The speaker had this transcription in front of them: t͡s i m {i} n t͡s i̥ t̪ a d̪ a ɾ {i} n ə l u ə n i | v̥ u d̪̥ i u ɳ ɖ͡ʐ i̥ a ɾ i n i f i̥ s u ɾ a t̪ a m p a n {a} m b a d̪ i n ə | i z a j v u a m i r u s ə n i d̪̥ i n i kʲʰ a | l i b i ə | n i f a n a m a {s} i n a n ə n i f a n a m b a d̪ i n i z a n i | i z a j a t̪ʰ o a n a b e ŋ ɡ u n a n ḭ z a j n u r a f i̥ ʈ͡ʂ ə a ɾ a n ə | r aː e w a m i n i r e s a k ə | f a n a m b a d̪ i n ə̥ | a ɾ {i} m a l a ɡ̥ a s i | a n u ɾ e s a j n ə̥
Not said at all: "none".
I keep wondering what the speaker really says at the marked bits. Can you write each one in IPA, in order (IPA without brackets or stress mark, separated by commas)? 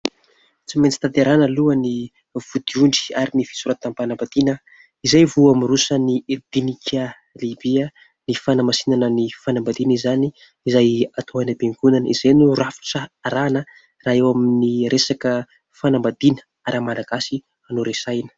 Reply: e, a, a, s, a